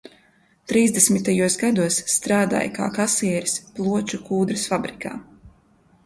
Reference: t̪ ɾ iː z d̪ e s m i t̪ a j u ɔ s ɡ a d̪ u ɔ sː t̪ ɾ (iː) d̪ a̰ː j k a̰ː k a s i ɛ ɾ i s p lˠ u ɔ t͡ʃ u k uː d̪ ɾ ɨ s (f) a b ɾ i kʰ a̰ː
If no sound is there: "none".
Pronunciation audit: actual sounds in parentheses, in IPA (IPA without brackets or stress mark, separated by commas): aː, f